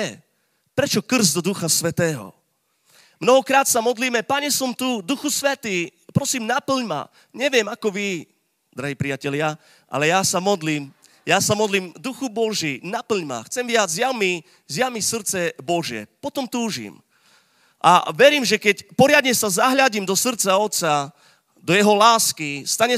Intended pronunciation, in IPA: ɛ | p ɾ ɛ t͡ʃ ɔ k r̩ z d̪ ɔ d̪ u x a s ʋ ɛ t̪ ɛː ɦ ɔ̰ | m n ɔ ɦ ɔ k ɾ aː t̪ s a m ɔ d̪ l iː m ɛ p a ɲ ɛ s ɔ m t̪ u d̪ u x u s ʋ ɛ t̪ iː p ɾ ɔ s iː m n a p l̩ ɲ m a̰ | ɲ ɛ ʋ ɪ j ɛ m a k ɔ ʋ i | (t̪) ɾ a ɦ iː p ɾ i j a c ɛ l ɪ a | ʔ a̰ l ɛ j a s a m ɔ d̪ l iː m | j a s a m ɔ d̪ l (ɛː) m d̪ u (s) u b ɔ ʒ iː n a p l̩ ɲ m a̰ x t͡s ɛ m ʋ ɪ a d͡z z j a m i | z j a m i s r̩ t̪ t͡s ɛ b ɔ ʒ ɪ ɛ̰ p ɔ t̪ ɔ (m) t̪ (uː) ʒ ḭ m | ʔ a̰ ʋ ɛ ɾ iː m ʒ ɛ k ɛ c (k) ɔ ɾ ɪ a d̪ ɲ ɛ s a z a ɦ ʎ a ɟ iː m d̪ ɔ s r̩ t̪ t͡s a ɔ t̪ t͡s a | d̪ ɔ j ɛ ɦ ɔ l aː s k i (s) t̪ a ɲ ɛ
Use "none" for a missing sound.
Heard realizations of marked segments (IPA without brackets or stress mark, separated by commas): d̪, iː, x, m, uː, p, s